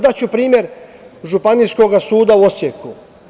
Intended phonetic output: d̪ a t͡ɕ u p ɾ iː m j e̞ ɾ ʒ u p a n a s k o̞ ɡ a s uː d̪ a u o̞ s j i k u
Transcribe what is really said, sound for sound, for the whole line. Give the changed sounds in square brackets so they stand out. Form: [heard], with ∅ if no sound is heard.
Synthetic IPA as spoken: d̪ a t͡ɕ u p ɾ iː m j e̞ ɾ ʒ u p a n [i] s k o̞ ɡ a s uː d̪ a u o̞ s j [e] k u